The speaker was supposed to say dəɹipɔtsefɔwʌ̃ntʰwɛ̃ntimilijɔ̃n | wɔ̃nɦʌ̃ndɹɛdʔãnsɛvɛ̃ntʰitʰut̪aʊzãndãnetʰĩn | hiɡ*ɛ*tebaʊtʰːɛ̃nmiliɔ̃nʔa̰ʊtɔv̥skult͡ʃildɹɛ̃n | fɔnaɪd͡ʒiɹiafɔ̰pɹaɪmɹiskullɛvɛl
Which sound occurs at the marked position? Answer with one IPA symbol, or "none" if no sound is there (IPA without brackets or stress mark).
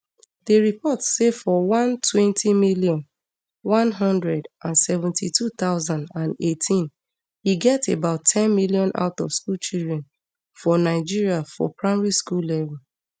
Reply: ɛ